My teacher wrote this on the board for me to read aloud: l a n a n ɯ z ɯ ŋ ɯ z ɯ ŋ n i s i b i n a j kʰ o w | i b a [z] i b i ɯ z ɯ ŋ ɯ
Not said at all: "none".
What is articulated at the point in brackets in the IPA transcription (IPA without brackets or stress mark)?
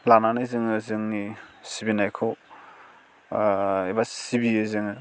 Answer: s